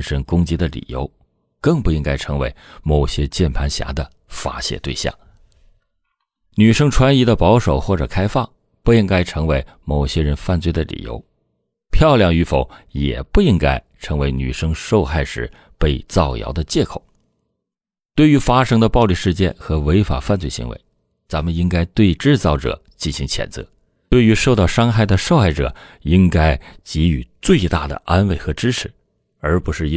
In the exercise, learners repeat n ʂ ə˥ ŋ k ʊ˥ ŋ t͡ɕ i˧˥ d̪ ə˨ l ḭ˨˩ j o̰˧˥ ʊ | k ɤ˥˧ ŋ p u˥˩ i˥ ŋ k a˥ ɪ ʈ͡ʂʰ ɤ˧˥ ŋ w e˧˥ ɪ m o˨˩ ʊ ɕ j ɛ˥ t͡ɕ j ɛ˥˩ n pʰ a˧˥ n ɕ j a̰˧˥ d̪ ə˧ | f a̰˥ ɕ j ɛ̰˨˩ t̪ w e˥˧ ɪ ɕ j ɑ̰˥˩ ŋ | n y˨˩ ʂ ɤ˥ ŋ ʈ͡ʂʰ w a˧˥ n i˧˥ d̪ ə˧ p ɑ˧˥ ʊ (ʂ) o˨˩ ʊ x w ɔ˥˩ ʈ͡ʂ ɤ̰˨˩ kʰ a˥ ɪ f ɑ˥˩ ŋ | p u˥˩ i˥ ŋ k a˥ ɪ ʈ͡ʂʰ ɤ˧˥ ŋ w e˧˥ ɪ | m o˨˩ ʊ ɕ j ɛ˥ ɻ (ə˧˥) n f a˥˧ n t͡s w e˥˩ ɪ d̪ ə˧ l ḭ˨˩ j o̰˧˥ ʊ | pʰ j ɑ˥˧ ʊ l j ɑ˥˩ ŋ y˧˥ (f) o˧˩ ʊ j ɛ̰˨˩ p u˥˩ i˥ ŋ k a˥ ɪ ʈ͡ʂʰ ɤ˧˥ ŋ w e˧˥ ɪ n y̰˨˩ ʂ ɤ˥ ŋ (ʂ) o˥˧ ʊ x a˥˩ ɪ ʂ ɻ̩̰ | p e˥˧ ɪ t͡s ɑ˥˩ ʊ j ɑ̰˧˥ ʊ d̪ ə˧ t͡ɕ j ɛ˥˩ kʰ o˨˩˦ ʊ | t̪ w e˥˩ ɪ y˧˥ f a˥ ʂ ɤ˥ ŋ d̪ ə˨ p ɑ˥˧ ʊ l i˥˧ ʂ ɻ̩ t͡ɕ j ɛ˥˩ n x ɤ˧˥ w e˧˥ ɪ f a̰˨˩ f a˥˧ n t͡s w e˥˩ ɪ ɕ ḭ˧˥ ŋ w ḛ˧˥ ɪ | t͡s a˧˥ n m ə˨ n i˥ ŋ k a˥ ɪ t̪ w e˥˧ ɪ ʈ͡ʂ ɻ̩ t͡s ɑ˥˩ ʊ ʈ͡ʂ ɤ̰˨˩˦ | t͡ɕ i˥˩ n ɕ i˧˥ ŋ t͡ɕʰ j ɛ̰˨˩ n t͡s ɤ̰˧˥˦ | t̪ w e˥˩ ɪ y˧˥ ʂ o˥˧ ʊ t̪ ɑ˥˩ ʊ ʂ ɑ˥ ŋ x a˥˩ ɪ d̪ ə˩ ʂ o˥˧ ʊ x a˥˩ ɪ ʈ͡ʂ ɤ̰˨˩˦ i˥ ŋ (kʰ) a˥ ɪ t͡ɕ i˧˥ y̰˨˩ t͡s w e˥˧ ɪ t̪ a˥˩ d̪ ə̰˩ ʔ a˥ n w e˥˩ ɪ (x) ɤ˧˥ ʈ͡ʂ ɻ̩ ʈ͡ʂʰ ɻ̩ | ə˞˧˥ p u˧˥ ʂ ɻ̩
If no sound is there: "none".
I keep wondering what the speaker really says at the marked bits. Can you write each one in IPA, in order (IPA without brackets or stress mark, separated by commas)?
ʂ, ə˧˥, f, ʂ, k, x